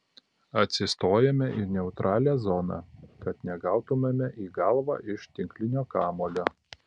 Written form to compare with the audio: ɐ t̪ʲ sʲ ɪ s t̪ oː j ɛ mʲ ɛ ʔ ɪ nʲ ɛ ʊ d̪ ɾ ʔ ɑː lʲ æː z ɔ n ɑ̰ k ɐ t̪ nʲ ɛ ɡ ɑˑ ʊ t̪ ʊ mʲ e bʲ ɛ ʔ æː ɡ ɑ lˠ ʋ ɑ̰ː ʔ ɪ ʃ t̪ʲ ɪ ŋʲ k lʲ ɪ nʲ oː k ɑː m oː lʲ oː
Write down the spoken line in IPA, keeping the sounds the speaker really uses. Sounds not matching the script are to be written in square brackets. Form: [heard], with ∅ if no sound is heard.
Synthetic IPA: ɐ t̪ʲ sʲ ɪ s t̪ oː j ɛ mʲ ɛ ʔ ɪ nʲ ɛ ʊ [t̪] ɾ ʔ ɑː lʲ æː z ɔ n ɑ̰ k ɐ t̪ nʲ ɛ ɡ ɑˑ ʊ t̪ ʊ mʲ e [mʲ] ɛ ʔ [iː] ɡ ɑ lˠ ʋ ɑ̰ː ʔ ɪ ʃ t̪ʲ ɪ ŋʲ k lʲ ɪ nʲ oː k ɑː m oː lʲ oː